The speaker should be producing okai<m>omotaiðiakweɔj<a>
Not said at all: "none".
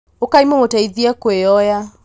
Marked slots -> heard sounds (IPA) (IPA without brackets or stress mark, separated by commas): m, a